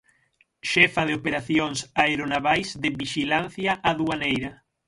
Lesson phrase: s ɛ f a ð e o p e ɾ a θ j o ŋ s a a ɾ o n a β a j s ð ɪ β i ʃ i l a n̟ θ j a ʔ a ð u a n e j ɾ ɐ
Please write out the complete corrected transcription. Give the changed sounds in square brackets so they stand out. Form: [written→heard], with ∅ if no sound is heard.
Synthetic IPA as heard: [s→ʃ] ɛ f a ð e o p e ɾ a θ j o ŋ s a [a→e] ɾ o n a β a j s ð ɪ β i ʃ i l a n̟ θ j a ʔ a ð u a n e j ɾ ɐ